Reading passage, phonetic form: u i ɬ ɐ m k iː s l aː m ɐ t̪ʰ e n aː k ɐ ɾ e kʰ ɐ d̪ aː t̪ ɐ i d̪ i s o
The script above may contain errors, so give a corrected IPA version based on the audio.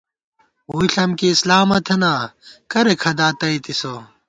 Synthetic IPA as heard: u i ɬ ɐ m k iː s l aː m ɐ t̪ʰ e n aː k ɐ ɾ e kʰ ɐ d̪ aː t̪ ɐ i t̪ i s o